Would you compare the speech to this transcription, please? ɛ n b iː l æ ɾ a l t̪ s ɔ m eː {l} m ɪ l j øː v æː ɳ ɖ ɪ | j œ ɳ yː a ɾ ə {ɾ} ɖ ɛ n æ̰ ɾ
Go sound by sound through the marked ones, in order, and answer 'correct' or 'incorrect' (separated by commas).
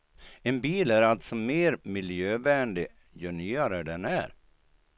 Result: incorrect, incorrect